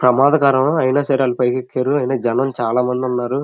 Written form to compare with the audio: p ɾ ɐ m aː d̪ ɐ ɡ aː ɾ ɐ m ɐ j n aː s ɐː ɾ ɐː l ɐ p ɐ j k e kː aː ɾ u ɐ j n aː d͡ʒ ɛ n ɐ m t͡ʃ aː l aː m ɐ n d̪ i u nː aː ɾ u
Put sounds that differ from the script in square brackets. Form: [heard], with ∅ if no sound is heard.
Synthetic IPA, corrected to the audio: p ɾ ɐ m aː d̪ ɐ [k] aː ɾ ɐ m ɐ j n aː s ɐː ɾ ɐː l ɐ p ɐ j k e kː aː ɾ u ɐ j n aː d͡ʒ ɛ n ɐ m t͡ʃ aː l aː m ɐ n d̪ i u nː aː ɾ u